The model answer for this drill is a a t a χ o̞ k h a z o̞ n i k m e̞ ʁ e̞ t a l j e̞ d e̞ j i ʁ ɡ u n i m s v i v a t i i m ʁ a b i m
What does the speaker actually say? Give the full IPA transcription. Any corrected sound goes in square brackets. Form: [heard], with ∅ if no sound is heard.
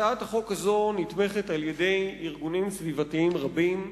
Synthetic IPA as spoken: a a t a χ o̞ k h a z o̞ n i [t] m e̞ [χ] e̞ t a l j e̞ d e̞ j i ʁ ɡ u n i m s v i v a t i i m ʁ a b i m